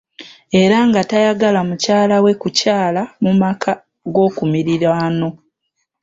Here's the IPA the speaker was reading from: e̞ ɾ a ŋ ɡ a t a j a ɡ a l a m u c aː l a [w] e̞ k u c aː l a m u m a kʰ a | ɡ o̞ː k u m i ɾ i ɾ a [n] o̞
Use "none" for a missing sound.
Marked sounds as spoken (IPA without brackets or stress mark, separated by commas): w, n